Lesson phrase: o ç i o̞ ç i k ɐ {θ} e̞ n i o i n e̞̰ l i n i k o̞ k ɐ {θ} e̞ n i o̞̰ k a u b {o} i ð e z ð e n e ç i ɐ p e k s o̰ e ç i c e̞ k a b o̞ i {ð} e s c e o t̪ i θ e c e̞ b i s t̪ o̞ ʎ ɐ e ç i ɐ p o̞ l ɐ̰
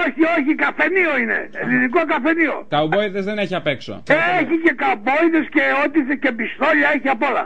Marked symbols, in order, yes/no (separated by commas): no, no, yes, yes